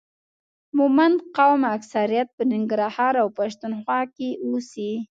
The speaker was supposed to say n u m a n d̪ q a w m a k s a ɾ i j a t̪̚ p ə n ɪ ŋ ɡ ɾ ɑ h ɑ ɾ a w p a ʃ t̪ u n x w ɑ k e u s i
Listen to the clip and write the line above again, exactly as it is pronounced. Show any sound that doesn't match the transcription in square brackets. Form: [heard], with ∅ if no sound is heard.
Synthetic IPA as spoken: [m] u m a n d̪ q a w m a k s a ɾ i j a t̪̚ p ə n ɪ ŋ ɡ ɾ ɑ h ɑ ɾ a w p a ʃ t̪ u n x w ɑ k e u s i